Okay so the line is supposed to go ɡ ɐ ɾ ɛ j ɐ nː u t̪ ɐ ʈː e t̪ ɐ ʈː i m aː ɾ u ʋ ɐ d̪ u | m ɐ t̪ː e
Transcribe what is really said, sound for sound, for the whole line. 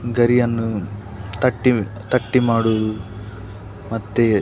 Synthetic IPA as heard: ɡ ɐ ɾ i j ɐ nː u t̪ ɐ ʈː i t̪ ɐ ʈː i m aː ɽ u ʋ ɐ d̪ u | m ɐ t̪ː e